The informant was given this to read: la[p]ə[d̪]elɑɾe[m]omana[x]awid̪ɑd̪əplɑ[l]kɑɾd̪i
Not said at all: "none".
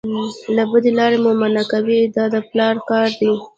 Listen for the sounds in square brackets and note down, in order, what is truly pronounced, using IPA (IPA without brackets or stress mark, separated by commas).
b, d̪, m, k, ɾ